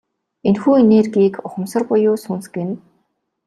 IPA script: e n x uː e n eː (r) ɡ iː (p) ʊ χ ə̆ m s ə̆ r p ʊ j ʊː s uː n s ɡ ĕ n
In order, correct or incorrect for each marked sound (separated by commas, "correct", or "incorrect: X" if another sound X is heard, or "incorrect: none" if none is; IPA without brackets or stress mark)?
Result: correct, incorrect: k